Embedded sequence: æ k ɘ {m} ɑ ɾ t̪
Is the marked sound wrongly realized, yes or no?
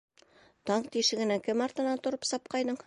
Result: no